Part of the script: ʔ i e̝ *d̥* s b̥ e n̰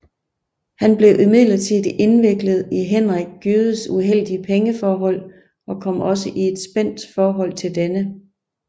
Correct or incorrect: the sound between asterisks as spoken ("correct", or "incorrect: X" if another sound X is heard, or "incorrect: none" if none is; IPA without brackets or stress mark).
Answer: correct